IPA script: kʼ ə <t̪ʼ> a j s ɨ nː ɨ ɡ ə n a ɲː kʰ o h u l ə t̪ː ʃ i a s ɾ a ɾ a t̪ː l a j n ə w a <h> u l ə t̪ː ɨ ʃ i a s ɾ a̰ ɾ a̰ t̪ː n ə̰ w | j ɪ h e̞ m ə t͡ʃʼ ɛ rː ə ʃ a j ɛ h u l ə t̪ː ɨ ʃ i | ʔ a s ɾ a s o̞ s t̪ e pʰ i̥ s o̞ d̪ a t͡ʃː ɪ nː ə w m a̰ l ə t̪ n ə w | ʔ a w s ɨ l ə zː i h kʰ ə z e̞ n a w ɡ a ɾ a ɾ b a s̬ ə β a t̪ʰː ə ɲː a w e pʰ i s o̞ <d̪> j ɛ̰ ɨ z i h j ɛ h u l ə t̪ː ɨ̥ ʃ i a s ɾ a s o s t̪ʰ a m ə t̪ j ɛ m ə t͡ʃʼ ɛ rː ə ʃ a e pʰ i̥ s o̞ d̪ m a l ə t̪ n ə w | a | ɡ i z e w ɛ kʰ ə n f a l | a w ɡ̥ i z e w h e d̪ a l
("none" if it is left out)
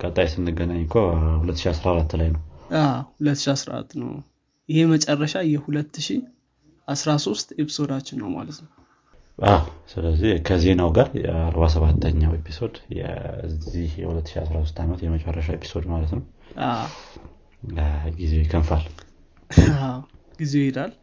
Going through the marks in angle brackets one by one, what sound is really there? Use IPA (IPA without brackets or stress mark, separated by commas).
t̪ʼ, h, d̪